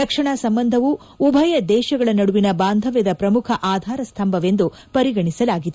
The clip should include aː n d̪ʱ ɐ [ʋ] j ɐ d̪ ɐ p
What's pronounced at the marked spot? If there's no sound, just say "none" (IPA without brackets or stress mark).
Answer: ʋ